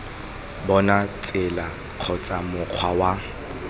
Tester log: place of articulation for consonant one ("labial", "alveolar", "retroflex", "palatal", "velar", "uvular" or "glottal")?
labial